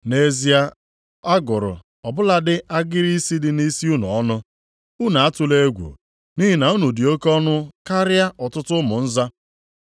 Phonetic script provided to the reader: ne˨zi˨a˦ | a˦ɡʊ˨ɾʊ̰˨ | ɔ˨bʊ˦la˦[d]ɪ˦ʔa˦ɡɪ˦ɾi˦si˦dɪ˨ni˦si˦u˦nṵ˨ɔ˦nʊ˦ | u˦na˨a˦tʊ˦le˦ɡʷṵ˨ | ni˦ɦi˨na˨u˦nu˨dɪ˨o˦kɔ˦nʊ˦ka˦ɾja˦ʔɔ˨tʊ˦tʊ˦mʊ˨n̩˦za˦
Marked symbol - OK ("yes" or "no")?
yes